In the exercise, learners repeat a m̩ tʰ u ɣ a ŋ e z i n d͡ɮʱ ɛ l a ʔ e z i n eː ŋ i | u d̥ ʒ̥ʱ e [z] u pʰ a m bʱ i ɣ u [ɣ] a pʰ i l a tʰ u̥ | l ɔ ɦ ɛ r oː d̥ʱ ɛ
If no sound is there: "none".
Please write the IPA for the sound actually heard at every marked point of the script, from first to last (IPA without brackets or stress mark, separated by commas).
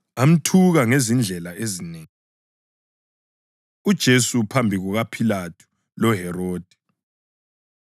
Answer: s, ɣ